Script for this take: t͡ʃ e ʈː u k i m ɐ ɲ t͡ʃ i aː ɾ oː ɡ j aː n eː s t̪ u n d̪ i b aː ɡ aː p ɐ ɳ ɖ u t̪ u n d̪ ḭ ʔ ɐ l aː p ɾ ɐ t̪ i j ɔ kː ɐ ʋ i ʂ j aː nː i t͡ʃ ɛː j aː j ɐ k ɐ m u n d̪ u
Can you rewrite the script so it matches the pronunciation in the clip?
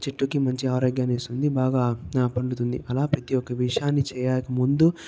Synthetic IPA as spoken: t͡ʃ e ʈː u k i m ɐ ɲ t͡ʃ i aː ɾ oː ɡ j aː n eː s t̪ u n d̪ i b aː ɡ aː p ɐ ɳ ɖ u t̪ u n d̪ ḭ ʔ ɐ l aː p ɾ ɐ t̪ i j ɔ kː ɐ ʋ i ʂ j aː nː i t͡ʃ ɛː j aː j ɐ k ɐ m u n d̪ u